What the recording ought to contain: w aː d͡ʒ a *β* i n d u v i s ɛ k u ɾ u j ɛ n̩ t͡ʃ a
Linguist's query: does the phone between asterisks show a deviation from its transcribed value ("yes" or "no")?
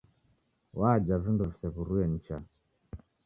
yes